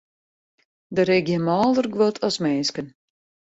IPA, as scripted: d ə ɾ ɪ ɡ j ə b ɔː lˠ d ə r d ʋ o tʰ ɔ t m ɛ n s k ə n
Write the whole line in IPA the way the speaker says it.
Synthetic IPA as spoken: d ə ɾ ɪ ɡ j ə m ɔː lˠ d ə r ɡ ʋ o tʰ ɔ s m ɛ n s k ə n